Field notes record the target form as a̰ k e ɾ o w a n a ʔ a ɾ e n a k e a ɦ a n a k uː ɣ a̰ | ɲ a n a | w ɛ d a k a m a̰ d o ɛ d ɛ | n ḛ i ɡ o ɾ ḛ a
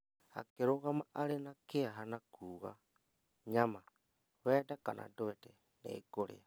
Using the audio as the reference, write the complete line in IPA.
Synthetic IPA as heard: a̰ k e ɾ o ɣ a m a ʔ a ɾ e n a k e a ɦ a n a k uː ɣ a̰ | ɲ a m a | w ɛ d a k a n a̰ d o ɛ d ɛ | n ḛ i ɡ o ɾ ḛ a